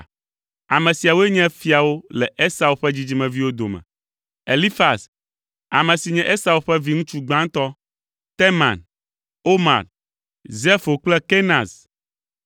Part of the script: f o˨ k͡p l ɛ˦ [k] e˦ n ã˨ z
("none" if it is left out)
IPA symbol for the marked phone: k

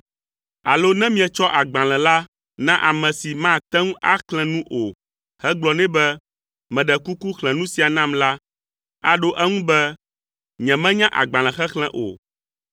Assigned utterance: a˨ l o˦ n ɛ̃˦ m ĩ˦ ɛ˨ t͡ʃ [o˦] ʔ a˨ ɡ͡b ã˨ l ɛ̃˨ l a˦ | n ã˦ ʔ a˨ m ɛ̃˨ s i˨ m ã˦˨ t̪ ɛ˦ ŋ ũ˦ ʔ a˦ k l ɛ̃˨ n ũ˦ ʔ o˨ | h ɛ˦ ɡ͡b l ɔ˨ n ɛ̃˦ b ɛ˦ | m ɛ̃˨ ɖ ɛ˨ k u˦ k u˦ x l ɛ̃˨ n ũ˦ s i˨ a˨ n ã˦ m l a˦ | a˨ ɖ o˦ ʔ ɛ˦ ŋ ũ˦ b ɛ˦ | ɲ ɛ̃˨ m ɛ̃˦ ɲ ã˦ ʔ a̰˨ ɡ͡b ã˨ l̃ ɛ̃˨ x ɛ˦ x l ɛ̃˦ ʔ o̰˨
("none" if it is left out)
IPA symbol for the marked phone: ɔ˦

